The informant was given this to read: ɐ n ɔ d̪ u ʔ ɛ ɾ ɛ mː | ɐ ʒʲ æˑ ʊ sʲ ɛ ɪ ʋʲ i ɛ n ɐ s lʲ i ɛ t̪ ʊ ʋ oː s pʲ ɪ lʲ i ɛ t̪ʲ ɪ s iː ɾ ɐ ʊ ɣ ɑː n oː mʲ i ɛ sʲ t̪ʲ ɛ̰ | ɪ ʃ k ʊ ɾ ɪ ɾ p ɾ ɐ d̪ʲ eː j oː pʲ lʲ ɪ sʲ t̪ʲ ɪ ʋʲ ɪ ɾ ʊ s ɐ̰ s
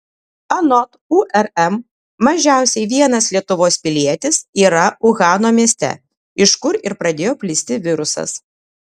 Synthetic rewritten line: ɐ n ɔ t̪ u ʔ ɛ ɾ ɛ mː | ɐ ʒʲ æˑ ʊ sʲ ɛ ɪ ʋʲ i ɛ n ɐ s lʲ i ɛ t̪ ʊ ʋ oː s pʲ ɪ lʲ i ɛ t̪ʲ ɪ s iː ɾ ɐ ʊ ɣ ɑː n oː mʲ i ɛ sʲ t̪ʲ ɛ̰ | ɪ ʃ k ʊ ɾ ɪ ɾ p ɾ ɐ d̪ʲ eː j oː pʲ lʲ ɪ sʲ t̪ʲ ɪ ʋʲ ɪ ɾ ʊ s ɐ̰ s